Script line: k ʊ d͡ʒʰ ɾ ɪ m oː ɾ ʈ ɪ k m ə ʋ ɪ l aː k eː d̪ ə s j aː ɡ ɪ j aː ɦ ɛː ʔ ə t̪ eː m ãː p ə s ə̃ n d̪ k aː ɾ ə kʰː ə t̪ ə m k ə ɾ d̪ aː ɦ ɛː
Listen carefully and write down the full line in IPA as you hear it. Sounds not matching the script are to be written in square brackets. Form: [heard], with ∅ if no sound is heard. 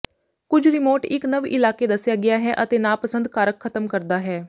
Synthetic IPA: k ʊ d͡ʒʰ ɾ ɪ m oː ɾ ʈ ɪ k [n] ə ʋ ɪ l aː k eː d̪ ə s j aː ɡ ɪ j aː ɦ ɛː ʔ ə t̪ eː [n] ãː p ə s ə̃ n d̪ k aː ɾ ə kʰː ə t̪ ə m k ə ɾ d̪ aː ɦ ɛː